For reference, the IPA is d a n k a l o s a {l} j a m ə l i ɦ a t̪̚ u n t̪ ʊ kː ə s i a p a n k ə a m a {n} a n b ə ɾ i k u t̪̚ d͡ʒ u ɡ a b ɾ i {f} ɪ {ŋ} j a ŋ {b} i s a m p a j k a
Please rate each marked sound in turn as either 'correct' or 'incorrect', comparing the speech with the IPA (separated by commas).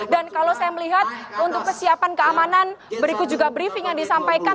incorrect, correct, correct, correct, incorrect